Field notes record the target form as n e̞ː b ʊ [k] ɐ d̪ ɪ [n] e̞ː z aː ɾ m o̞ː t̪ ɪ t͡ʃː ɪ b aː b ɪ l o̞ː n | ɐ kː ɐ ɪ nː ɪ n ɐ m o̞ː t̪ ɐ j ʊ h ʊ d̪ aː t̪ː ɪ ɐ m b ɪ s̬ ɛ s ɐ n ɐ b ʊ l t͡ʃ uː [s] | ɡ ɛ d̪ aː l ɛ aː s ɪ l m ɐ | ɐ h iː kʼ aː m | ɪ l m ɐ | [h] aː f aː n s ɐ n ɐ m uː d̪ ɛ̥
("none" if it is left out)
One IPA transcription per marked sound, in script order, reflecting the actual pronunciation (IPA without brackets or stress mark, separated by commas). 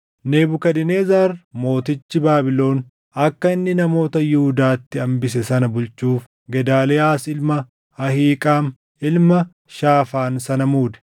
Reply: k, n, f, ʃ